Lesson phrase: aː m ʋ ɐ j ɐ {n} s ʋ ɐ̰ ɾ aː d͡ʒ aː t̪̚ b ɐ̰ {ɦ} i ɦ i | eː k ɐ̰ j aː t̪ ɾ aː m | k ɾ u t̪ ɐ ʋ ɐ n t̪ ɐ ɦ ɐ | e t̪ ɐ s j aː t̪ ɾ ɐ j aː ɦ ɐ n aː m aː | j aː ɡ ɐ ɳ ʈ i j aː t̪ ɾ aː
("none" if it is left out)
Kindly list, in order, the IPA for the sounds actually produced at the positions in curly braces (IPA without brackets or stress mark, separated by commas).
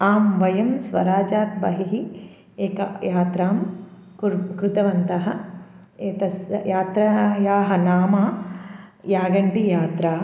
m, ɦ